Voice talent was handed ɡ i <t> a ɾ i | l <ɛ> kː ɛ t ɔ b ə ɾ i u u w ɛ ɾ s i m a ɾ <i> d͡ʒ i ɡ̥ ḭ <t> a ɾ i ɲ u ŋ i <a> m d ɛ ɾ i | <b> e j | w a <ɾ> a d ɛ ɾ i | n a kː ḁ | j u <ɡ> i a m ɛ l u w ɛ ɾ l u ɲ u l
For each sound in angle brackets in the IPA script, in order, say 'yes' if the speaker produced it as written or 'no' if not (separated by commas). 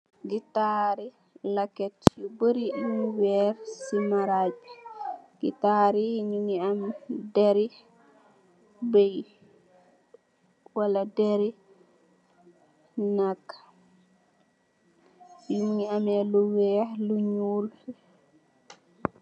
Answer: yes, no, no, yes, yes, yes, no, no